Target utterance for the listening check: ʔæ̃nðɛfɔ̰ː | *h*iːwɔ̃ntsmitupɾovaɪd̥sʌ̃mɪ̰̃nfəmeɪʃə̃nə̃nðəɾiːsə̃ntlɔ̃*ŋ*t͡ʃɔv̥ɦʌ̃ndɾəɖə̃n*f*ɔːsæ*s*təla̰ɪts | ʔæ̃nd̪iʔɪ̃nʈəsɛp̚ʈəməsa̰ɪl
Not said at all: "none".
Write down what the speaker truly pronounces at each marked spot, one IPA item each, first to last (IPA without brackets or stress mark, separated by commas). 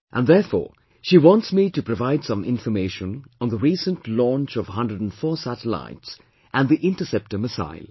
ʃ, n, f, none